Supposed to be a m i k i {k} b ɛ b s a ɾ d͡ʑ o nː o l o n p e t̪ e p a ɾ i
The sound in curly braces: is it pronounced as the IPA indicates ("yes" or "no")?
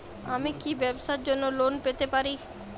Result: no